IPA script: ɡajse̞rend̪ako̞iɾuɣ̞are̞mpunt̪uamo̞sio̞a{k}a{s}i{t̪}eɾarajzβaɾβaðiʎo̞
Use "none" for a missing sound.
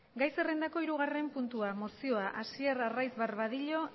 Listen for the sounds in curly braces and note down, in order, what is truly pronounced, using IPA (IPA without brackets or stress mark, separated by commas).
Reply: ʔ, s, none